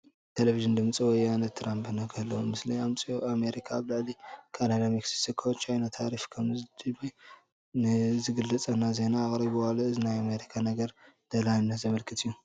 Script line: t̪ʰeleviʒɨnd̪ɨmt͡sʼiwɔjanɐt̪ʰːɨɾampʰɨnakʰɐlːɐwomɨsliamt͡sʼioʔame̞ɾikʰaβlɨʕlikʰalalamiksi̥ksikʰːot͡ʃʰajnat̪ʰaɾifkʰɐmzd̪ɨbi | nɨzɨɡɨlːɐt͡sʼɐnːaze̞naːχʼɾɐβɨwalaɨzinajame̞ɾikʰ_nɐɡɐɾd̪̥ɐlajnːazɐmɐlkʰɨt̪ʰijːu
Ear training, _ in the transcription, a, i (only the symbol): a